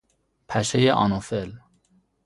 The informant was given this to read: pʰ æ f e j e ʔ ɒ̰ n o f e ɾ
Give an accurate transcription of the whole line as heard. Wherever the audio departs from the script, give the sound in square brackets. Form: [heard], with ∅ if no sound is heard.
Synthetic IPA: pʰ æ [ʃ] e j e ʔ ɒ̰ n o f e [l]